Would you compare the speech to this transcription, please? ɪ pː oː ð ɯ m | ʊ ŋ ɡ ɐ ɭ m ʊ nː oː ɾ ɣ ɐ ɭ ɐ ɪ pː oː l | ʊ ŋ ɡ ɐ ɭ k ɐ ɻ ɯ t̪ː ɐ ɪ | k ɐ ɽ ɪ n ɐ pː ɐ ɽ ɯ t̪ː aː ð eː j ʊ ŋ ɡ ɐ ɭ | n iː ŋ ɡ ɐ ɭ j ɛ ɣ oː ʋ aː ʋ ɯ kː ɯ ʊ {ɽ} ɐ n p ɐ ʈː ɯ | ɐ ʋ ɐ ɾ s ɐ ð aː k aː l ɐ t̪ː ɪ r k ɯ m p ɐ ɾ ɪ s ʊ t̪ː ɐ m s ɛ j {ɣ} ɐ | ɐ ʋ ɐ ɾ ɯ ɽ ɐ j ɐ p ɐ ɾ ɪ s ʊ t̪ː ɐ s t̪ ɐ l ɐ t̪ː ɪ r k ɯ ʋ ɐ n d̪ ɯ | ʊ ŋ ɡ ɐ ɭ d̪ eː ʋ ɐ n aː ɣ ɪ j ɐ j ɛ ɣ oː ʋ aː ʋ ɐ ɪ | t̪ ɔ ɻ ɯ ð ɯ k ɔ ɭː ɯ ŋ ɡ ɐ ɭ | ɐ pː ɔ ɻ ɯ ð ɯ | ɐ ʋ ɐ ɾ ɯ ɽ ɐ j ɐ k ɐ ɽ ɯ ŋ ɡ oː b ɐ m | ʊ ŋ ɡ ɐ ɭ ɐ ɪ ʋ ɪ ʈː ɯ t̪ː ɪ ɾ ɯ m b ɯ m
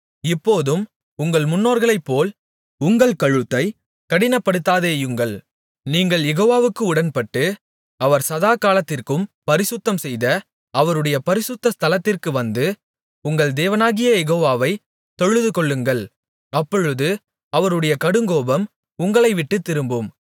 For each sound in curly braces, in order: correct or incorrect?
correct, incorrect: ð

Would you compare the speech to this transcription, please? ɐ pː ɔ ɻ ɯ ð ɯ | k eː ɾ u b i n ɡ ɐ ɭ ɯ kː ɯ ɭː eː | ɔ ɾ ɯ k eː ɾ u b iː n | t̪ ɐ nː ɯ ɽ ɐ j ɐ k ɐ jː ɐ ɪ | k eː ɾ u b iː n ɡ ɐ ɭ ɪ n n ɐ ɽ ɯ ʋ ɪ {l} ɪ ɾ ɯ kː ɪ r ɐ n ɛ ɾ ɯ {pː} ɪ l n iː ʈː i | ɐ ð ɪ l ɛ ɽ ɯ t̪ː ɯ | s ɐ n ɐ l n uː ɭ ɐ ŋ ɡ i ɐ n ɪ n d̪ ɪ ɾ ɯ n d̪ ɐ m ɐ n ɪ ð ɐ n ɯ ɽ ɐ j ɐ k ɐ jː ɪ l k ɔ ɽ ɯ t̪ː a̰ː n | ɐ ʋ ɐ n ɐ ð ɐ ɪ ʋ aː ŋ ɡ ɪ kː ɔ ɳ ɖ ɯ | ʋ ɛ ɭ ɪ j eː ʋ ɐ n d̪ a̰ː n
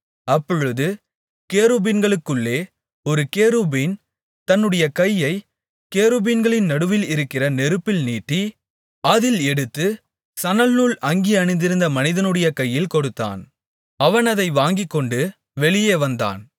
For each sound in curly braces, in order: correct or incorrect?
correct, correct

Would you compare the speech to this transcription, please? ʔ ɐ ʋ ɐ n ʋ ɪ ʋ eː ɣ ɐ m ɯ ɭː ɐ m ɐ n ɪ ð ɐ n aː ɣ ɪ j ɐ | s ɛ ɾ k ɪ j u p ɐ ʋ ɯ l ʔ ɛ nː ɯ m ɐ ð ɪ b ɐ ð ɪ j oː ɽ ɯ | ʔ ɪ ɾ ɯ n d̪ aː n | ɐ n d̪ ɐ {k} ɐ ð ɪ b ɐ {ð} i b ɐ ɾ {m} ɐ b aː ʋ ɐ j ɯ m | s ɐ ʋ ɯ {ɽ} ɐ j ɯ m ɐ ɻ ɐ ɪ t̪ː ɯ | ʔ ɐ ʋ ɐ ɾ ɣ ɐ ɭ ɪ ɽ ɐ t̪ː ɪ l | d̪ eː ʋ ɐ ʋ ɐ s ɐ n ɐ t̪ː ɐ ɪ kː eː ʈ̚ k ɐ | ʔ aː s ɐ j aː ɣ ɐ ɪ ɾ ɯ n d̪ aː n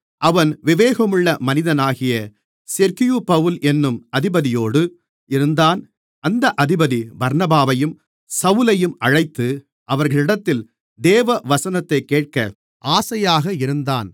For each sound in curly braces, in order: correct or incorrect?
incorrect: ʔ, correct, incorrect: n, incorrect: l

